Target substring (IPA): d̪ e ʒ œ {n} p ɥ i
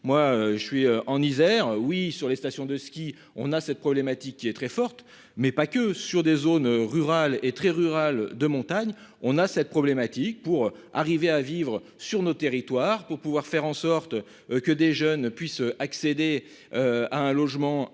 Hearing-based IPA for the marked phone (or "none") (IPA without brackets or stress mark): n